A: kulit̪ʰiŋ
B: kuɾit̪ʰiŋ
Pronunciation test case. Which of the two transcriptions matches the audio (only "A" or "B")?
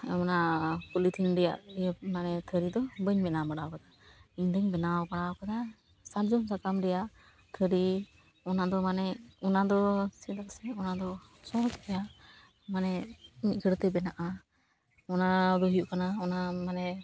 A